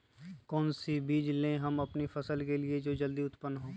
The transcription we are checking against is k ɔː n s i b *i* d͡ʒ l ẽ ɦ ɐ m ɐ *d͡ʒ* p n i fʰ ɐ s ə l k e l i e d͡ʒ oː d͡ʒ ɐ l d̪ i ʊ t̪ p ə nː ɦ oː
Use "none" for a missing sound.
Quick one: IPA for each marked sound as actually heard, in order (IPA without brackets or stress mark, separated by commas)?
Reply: iː, none